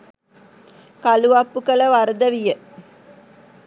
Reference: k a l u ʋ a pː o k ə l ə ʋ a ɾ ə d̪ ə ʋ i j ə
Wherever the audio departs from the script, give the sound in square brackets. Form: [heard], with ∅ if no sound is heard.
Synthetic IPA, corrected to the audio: k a l u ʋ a pː [u] k ə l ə ʋ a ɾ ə d̪ ə ʋ i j ə